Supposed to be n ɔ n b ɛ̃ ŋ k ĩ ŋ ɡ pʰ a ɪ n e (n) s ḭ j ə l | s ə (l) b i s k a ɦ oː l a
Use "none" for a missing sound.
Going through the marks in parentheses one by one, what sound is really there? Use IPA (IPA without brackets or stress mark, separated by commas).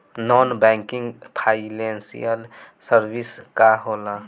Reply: n, ɾ